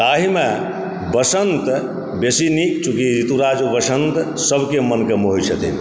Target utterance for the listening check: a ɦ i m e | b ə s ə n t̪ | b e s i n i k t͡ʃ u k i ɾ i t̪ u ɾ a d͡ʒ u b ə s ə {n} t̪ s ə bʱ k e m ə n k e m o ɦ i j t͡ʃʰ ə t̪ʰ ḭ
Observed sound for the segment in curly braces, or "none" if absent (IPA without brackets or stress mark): n